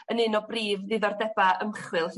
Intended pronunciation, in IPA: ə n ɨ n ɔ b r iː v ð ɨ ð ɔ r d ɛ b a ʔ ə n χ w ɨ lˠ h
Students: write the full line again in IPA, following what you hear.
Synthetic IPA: ə n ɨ n ɔ b r iː v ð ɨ ð ɔ r d ɛ b a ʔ ə m χ w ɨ lˠ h